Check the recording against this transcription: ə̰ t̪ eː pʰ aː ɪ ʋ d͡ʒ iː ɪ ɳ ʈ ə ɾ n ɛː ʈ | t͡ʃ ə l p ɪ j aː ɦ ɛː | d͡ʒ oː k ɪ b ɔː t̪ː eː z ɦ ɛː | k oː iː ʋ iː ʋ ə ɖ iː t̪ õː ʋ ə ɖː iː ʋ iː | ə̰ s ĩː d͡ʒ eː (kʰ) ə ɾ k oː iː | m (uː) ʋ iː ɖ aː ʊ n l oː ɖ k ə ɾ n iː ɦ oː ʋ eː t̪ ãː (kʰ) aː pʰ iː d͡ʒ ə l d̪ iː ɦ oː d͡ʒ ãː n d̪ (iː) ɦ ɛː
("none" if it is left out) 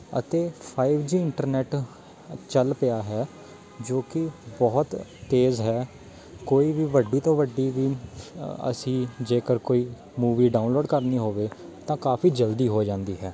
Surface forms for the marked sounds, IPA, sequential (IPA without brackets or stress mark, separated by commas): k, uː, k, iː